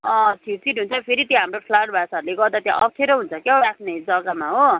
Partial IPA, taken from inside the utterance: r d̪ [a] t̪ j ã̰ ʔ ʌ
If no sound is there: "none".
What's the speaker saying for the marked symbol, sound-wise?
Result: a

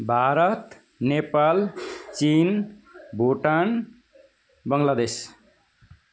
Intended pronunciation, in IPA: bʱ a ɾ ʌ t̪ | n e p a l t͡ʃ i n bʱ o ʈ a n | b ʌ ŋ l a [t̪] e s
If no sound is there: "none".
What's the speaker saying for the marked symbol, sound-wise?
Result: d̪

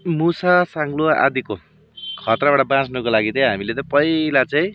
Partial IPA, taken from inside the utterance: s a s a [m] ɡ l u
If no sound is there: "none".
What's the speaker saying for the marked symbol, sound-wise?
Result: ŋ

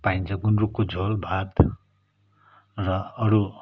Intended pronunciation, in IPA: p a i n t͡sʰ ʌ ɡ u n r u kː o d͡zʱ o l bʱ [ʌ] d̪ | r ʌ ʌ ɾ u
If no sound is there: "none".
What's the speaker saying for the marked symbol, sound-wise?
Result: a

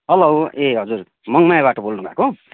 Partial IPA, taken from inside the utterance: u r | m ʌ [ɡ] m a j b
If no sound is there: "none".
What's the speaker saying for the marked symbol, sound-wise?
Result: ŋ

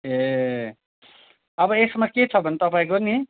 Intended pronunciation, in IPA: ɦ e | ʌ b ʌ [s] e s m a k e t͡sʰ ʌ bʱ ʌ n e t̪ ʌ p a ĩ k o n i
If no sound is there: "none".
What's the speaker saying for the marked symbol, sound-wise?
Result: none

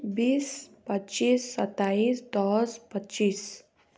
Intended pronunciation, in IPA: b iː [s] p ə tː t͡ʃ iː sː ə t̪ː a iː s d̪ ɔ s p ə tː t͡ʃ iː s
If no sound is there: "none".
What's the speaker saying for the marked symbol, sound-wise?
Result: s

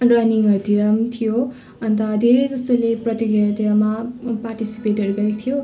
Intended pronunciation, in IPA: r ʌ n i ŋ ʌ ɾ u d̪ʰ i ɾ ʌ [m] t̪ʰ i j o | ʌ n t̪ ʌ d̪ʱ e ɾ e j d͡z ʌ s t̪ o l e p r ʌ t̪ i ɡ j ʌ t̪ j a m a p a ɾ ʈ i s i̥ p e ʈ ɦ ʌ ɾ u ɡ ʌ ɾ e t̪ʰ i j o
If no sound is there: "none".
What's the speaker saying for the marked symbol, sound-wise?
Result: m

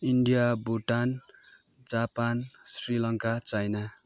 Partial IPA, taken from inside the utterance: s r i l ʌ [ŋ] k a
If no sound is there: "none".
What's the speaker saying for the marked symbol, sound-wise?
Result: ŋ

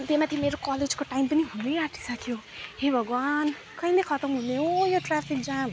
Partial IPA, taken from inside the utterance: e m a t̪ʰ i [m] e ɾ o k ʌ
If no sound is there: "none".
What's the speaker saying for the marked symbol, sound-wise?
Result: m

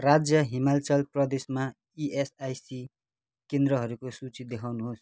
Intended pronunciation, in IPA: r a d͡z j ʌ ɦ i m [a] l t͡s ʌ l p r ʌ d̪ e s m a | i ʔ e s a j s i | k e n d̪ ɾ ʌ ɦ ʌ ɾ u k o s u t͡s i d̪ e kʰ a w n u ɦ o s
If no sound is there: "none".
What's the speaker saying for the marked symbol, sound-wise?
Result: a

